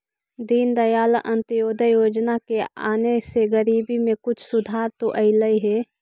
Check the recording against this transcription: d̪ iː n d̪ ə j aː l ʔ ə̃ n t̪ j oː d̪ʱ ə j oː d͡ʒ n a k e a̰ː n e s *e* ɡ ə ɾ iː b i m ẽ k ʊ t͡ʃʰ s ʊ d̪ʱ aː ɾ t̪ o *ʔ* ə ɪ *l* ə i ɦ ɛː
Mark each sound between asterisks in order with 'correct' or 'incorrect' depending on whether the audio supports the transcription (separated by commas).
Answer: correct, correct, correct